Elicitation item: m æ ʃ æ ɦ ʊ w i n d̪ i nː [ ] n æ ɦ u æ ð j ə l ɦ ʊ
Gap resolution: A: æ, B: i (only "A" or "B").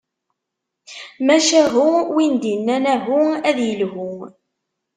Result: A